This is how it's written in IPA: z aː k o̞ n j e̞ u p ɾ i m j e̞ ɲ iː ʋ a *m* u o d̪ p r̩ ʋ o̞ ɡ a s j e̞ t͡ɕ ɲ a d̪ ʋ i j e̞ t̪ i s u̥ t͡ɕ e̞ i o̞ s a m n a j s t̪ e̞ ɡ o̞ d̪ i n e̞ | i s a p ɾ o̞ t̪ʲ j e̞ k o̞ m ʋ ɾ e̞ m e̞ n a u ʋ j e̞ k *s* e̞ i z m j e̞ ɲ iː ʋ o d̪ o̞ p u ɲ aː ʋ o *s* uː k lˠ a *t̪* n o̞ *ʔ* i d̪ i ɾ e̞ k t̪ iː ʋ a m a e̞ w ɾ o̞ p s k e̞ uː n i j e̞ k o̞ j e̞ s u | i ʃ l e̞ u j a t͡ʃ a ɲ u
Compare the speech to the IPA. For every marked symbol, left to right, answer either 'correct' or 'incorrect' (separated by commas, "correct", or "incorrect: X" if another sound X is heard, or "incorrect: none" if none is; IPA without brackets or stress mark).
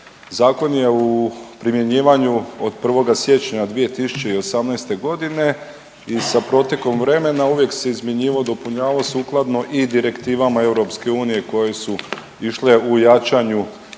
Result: incorrect: ɲ, correct, correct, incorrect: d̪, correct